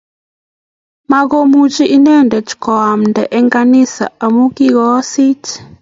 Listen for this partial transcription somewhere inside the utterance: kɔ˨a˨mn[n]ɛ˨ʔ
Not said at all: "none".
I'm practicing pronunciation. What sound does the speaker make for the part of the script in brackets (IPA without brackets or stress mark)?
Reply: d